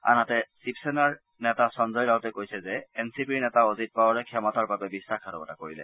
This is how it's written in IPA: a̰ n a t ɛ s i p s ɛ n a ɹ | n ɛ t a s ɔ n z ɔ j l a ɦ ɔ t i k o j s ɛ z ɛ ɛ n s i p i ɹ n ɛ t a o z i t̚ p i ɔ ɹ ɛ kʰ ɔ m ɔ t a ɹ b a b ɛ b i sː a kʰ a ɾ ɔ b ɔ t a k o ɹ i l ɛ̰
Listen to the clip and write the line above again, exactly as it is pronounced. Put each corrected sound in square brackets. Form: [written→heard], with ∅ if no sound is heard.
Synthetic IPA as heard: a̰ n a t ɛ s i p s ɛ n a ɹ | n ɛ t a s ɔ n z ɔ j l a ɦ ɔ t [i→ɛ] k o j s ɛ z ɛ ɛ n s i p i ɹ n ɛ t a o z i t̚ p [i→a] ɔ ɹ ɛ kʰ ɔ m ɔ t a ɹ b a b ɛ b i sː a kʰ a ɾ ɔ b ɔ t a k o ɹ i l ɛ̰